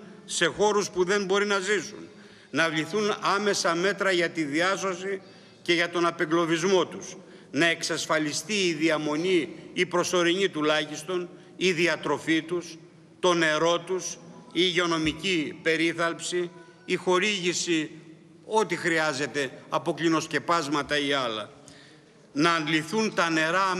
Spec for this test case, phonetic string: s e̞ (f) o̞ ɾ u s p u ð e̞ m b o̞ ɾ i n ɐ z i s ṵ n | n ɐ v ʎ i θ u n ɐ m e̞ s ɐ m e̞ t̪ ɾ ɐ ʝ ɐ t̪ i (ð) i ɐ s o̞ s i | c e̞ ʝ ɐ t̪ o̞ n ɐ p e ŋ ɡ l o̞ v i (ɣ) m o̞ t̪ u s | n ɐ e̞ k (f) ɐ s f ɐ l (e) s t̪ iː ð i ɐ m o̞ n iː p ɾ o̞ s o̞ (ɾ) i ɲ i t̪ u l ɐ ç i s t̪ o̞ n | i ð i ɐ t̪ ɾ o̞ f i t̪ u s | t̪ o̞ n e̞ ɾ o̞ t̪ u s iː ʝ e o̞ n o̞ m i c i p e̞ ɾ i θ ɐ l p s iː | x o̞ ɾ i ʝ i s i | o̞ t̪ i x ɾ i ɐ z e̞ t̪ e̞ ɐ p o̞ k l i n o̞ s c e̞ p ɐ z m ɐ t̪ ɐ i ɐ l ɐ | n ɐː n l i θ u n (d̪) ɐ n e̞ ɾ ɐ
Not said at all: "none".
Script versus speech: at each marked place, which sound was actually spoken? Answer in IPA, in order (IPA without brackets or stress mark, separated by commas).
x, ð, z, s, i, ɾ, t̪